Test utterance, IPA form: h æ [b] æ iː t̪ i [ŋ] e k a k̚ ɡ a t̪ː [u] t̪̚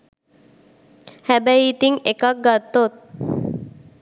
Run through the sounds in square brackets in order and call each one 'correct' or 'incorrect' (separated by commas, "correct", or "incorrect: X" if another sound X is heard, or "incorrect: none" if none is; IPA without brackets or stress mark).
correct, correct, incorrect: o